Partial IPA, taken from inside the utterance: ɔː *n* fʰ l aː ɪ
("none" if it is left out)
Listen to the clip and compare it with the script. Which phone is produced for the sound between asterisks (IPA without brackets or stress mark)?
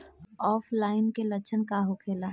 none